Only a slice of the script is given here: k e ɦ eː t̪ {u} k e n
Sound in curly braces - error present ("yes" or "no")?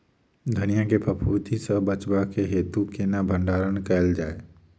no